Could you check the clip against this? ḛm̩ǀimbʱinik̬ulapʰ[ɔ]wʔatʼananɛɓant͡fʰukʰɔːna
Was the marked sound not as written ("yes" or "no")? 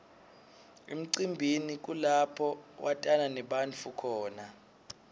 no